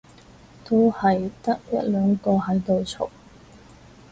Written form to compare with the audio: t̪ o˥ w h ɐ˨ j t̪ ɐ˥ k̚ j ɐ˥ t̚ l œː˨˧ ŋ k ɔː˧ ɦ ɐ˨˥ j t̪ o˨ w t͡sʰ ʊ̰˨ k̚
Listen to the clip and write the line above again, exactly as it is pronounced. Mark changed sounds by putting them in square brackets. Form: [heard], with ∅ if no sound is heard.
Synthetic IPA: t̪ o˥ w h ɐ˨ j t̪ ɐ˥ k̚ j ɐ˥ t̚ l œː˨˧ ŋ k ɔː˧ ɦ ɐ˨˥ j t̪ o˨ w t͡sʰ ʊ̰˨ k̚